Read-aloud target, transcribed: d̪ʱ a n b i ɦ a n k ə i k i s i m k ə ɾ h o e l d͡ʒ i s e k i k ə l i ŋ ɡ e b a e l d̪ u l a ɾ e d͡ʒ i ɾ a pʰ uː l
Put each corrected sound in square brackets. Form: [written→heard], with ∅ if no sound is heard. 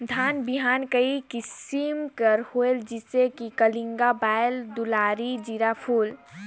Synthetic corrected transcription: d̪ʱ a n b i ɦ a n k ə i k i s i m k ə ɾ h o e l d͡ʒ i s e k i k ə l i ŋ ɡ [e→a] b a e l d̪ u l a ɾ [e→i] d͡ʒ i ɾ a pʰ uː l